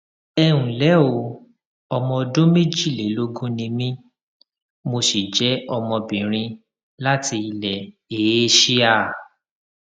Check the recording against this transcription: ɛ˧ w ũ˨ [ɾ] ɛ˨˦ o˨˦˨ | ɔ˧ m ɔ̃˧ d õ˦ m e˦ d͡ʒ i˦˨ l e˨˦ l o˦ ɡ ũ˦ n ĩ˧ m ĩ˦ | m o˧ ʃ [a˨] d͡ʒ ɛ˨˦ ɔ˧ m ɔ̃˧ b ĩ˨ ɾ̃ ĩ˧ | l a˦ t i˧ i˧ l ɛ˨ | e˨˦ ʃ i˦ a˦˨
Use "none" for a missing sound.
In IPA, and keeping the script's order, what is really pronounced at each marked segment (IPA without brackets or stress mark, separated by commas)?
l, i˨